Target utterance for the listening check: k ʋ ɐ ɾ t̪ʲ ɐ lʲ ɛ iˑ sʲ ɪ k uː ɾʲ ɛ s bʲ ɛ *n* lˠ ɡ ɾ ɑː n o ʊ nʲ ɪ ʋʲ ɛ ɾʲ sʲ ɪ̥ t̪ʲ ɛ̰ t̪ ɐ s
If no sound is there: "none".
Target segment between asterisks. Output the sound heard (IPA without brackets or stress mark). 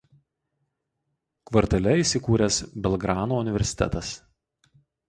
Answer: none